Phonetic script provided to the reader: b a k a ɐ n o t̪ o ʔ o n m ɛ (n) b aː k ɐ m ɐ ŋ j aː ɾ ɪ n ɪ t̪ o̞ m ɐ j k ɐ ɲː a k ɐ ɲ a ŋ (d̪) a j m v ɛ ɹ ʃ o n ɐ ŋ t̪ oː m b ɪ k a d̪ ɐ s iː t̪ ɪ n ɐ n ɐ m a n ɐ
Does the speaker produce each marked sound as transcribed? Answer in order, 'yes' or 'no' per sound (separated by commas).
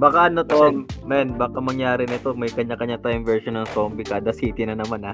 yes, no